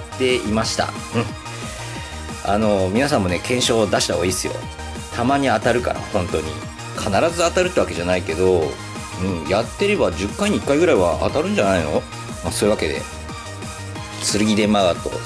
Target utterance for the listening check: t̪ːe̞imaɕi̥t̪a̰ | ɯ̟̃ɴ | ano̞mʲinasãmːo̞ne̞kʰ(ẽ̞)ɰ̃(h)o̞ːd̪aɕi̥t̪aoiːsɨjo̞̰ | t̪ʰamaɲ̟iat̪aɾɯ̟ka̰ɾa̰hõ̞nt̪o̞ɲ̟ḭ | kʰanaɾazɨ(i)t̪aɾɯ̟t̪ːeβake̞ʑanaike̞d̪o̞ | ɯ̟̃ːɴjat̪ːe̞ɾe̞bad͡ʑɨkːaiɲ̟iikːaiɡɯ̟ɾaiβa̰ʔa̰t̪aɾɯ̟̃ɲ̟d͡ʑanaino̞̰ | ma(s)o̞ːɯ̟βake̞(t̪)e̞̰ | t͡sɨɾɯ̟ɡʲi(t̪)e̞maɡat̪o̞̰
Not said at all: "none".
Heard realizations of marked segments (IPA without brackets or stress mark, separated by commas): ẽ̞, ɕ, a, s, d̪, d̪